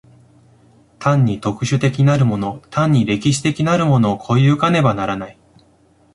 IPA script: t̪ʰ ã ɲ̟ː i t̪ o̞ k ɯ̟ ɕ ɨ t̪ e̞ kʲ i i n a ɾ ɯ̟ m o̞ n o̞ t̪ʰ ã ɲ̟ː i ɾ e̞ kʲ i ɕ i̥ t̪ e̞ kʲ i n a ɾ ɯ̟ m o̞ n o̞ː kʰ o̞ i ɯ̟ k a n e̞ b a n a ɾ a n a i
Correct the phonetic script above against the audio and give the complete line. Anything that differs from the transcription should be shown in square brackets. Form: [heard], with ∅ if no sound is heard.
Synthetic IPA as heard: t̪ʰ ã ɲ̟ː i t̪ o̞ k ɯ̟ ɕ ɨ t̪ e̞ kʲ i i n a ɾ ɯ̟ m o̞ n o̞ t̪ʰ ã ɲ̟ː i ɾ e̞ kʲ i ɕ i̥ t̪ e̞ kʲ i n a ɾ ɯ̟ m o̞ n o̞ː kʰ o̞ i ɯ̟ k a n e̞ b a n a ɾ a n a i